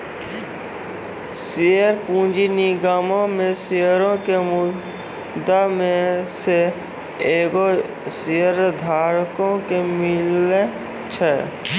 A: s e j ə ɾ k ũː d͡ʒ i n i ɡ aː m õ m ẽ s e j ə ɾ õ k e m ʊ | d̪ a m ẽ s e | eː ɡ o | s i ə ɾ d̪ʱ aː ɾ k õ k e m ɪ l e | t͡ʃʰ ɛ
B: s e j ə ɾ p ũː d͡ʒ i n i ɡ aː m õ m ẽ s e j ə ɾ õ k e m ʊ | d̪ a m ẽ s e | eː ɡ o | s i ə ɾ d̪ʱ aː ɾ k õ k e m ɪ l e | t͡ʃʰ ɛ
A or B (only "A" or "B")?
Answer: B